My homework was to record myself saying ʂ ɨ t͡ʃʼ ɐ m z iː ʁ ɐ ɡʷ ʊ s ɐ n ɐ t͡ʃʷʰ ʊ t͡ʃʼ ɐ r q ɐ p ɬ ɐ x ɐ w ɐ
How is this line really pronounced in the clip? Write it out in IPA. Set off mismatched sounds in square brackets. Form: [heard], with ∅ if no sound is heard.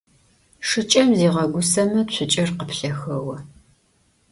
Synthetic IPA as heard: ʂ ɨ t͡ʃʼ ɐ m z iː ʁ ɐ ɡʷ ʊ s ɐ [m] ɐ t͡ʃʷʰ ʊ t͡ʃʼ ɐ r q [ə] p ɬ ɐ x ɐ w ɐ